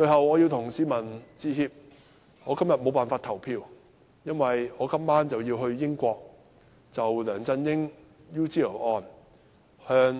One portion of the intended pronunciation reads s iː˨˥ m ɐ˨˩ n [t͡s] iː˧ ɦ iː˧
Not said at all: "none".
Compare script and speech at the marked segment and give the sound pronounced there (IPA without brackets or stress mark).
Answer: t͡s